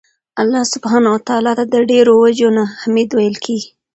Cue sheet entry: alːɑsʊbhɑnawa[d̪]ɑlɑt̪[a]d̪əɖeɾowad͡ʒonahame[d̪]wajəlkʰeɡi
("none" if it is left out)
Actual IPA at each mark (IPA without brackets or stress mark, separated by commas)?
t̪, a, d̪